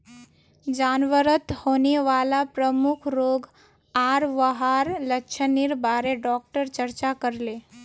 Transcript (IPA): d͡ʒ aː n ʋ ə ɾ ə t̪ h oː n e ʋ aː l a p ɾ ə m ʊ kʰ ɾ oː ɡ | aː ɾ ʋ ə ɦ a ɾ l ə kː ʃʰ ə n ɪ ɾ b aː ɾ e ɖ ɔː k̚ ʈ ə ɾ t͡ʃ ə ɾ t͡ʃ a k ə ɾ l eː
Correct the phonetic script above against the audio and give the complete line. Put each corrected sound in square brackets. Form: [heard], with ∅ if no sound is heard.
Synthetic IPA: d͡ʒ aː n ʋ ə ɾ ə t̪ h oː n e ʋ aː l a p ɾ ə m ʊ kʰ ɾ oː ɡ | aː ɾ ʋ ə ɦ a ɾ l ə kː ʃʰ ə n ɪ ɾ b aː ɾ e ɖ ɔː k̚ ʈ ə ɾ t͡ʃ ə ɾ t͡ʃ a k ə ɾ l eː